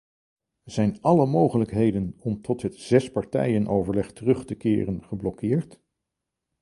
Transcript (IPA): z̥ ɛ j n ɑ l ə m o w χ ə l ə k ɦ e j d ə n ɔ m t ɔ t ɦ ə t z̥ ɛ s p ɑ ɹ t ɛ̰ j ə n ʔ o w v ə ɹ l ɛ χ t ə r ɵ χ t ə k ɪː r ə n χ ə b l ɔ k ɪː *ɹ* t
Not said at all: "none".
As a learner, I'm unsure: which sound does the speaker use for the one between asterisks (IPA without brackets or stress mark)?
ɹ